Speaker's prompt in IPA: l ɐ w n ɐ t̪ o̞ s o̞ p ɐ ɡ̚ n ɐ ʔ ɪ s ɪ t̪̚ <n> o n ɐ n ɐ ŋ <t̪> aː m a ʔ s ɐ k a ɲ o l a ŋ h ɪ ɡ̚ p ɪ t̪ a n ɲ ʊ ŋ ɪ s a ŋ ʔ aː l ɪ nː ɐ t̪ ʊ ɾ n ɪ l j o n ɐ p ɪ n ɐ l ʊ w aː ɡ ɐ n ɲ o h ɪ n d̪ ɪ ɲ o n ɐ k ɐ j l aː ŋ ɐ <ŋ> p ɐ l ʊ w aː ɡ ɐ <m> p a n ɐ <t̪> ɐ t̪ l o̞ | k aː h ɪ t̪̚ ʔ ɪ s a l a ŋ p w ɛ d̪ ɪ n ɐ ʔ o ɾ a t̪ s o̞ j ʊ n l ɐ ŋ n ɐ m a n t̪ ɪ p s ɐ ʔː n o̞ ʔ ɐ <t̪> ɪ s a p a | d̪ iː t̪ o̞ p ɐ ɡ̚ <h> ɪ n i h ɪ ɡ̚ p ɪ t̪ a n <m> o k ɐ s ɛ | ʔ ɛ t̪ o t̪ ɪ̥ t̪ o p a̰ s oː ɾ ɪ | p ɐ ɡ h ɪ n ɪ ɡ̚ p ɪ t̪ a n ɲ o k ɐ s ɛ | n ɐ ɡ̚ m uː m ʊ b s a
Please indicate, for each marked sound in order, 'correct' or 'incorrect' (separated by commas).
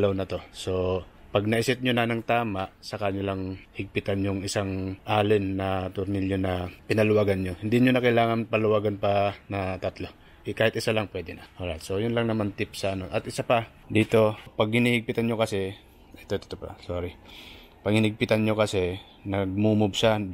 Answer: incorrect, correct, incorrect, incorrect, correct, correct, correct, incorrect